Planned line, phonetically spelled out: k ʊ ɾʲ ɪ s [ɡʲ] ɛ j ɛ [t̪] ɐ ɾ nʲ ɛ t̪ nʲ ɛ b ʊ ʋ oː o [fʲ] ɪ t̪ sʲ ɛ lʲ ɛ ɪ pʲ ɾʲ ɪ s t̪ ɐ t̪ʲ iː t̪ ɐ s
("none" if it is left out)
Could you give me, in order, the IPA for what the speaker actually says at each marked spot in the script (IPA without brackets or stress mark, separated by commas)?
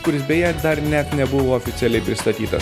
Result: bʲ, d̪, fʲ